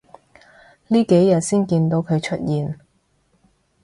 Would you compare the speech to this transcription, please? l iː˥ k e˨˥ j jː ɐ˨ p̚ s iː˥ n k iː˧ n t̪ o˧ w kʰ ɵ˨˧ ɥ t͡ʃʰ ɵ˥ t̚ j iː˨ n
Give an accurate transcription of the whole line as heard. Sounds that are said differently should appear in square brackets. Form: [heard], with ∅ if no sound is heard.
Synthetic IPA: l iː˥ k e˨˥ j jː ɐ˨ [t̚] s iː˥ n k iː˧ n t̪ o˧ w kʰ ɵ˨˧ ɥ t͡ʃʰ ɵ˥ t̚ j iː˨ n